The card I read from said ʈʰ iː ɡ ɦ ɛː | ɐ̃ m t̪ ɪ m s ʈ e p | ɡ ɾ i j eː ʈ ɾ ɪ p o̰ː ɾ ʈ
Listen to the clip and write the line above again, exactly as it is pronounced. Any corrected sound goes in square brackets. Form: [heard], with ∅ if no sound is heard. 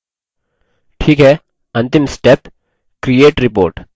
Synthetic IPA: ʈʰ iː [k] ɦ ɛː | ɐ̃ [n] t̪ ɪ m s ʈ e p | [k] ɾ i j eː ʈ ɾ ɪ p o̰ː ɾ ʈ